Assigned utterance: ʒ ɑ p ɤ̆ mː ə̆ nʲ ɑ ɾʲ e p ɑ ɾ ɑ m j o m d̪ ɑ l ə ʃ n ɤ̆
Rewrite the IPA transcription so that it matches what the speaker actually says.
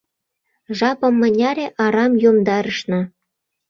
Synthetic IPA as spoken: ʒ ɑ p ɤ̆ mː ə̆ nʲ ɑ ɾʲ e ʔ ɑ ɾ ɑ m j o m d̪ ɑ ɾ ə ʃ n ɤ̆